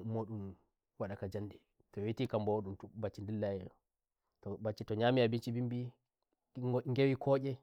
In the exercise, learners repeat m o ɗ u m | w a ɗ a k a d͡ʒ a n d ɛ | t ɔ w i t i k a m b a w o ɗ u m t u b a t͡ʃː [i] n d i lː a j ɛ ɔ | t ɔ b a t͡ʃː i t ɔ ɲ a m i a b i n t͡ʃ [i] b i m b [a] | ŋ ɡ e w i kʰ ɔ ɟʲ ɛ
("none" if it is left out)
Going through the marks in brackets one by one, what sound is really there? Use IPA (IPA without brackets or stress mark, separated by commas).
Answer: i, i, i